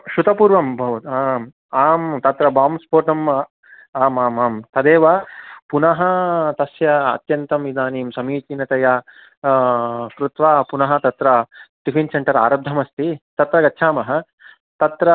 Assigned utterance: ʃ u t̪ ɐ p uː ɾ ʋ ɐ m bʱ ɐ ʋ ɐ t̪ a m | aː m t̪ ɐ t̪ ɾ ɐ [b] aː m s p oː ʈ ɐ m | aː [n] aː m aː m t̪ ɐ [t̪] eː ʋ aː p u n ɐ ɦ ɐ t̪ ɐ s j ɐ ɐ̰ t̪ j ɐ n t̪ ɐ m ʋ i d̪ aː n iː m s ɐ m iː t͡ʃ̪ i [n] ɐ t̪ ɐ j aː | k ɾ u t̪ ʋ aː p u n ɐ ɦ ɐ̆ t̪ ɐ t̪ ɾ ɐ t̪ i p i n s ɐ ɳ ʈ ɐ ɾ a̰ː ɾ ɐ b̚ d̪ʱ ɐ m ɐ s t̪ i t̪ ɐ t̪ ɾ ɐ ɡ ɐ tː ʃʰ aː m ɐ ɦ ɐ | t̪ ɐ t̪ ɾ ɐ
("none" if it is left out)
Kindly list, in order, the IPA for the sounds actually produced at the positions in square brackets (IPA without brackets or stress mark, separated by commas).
b, m, d̪, n